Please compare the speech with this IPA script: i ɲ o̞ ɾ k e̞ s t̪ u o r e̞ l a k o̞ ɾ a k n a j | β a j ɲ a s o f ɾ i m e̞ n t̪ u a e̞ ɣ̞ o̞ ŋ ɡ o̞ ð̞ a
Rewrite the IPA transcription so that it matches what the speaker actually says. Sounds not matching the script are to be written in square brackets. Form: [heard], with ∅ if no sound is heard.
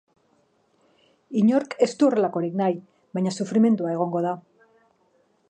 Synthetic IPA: i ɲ o̞ ɾ k e̞ s t̪ u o r e̞ l a k o̞ ɾ [i] k n a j | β a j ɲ a s [u] f ɾ i m e̞ n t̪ u a e̞ ɣ̞ o̞ ŋ ɡ o̞ ð̞ a